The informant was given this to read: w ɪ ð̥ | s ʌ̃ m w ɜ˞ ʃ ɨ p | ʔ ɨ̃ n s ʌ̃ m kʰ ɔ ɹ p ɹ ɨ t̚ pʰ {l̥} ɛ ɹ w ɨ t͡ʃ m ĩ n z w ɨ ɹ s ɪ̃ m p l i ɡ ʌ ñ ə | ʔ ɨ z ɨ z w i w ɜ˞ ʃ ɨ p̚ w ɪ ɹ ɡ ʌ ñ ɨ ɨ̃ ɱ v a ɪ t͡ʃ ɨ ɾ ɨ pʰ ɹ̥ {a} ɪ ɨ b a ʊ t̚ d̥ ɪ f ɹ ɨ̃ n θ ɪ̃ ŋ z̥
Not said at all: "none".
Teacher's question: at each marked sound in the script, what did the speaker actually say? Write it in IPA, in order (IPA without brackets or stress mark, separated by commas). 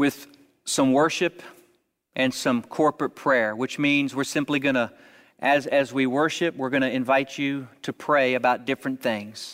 ɹ̥, e